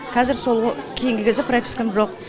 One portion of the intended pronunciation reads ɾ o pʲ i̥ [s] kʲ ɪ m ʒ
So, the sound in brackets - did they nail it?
yes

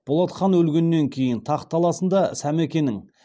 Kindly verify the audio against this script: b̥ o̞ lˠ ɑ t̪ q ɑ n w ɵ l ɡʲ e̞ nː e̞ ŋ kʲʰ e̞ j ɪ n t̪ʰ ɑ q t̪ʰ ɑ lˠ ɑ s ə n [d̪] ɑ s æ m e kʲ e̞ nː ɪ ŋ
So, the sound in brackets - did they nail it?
yes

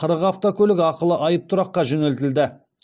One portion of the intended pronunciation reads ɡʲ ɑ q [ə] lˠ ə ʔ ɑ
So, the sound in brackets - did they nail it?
yes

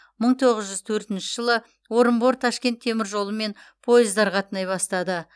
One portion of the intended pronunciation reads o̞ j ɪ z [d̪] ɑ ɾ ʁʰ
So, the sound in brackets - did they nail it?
yes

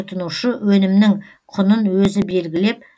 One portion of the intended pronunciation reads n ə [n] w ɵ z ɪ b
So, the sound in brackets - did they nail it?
yes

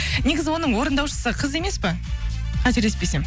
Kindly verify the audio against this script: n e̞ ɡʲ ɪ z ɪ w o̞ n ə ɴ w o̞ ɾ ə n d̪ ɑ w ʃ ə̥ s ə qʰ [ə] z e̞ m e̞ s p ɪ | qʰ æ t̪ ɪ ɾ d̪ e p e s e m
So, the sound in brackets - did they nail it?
yes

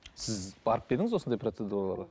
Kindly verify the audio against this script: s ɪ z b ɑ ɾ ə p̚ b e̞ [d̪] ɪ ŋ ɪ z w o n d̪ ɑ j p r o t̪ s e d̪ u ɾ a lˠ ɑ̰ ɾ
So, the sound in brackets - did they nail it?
yes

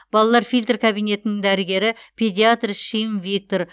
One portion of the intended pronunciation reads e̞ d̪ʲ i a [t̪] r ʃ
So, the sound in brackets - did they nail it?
yes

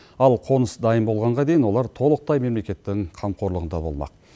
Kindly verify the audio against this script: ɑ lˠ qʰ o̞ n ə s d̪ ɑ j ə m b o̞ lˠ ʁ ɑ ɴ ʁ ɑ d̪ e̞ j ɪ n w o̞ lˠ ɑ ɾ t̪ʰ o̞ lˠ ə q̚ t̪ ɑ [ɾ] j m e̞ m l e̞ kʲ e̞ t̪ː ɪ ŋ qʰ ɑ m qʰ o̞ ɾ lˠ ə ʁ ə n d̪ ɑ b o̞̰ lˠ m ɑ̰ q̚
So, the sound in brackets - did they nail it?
no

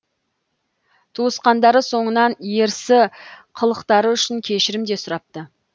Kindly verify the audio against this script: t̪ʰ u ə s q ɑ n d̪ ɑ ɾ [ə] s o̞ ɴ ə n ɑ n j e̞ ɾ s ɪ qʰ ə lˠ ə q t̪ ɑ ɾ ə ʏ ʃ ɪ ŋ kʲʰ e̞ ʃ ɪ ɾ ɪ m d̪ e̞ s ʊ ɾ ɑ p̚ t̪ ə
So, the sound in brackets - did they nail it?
yes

